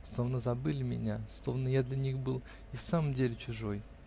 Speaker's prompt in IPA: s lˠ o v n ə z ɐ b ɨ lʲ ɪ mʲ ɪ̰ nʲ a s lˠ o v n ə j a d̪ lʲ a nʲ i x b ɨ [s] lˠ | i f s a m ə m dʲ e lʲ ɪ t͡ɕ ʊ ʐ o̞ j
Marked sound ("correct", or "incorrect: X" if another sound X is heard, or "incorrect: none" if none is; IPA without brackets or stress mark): incorrect: none